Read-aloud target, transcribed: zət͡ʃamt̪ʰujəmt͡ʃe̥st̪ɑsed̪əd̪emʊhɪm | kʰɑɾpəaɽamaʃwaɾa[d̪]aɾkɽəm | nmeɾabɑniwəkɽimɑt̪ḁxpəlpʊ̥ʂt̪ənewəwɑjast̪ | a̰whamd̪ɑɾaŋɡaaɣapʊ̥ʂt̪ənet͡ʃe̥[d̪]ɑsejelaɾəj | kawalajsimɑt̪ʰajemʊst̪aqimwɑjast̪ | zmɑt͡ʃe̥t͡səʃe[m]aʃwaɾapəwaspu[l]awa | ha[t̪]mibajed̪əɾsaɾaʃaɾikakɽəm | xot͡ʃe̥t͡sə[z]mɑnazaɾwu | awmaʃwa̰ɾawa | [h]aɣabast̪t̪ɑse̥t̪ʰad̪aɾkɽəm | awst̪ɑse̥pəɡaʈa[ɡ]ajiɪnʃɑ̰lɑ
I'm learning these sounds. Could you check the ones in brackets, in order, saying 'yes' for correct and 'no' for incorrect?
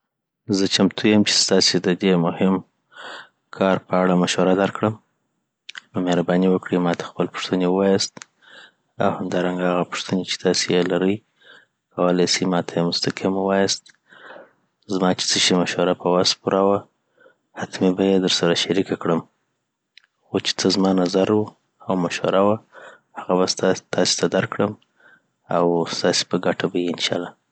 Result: yes, no, yes, no, yes, yes, yes, no

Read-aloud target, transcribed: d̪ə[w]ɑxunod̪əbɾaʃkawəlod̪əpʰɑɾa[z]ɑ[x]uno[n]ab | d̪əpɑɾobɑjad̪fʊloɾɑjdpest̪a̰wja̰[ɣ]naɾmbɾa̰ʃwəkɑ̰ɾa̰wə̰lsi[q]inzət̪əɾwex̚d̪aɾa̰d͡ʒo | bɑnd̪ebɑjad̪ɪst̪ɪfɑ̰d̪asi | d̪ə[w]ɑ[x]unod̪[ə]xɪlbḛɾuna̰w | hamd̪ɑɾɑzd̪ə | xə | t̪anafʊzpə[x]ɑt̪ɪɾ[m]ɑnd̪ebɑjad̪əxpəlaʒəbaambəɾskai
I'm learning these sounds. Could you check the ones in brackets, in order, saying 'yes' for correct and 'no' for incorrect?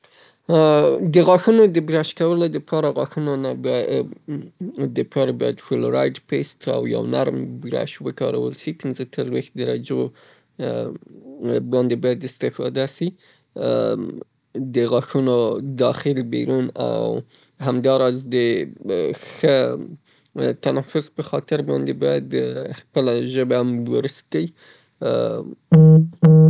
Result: no, no, yes, yes, no, no, no, yes, no, yes, no

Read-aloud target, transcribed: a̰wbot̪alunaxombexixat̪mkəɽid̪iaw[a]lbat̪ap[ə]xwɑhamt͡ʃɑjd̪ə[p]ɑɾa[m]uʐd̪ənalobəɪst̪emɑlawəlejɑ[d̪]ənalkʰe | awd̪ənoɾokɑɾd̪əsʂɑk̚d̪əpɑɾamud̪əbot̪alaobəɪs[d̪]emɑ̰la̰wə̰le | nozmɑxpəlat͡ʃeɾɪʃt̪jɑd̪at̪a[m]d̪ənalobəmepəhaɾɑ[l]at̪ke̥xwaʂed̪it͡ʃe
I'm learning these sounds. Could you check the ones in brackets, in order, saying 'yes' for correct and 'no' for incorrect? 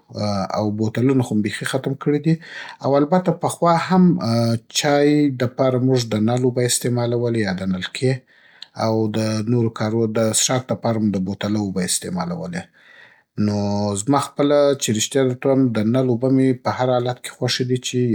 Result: yes, yes, yes, yes, yes, no, yes, yes

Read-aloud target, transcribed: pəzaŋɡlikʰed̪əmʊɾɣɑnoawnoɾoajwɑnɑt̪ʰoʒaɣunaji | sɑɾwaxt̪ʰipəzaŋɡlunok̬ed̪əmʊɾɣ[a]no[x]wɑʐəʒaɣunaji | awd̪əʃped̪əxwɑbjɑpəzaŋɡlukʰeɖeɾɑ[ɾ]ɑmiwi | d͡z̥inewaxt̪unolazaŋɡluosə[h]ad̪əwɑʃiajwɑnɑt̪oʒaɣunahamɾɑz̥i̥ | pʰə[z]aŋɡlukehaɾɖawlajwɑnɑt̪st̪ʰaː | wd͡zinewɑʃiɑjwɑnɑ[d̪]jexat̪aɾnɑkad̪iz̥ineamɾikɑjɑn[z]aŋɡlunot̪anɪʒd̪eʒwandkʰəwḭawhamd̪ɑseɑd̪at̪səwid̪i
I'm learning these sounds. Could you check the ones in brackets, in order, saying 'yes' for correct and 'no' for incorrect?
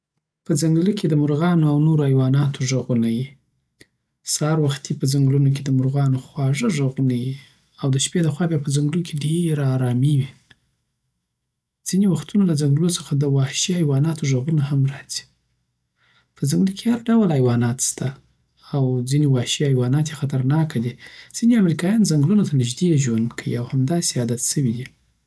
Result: no, yes, yes, no, yes, no, yes

